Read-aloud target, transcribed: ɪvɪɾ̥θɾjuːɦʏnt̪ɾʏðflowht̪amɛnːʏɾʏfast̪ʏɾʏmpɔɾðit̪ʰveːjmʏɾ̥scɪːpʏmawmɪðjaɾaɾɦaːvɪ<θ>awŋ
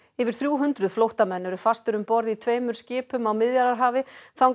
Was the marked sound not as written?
no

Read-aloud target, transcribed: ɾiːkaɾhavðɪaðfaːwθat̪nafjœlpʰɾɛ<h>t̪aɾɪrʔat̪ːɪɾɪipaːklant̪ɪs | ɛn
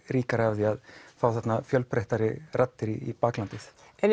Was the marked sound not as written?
no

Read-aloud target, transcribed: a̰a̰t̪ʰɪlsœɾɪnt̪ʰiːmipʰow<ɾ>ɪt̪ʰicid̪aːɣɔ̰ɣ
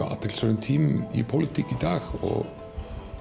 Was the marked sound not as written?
yes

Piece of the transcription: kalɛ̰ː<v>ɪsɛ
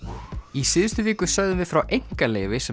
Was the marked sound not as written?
no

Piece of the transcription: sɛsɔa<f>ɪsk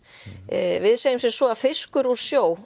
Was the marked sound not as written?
no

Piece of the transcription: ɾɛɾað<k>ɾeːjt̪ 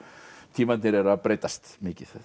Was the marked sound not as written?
yes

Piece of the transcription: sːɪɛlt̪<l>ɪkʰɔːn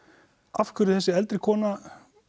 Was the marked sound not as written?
yes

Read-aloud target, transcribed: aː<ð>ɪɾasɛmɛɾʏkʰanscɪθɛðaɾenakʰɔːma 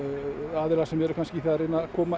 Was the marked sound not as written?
no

